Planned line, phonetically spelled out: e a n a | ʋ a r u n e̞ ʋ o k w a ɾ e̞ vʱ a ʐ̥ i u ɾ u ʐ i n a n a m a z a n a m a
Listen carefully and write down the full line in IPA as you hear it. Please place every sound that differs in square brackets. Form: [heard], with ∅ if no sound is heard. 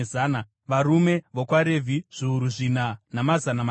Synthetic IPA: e a n a | ʋ a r u [m] e̞ ʋ o k w a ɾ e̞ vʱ [i] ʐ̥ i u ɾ u ʐ i n a n a m a z a n a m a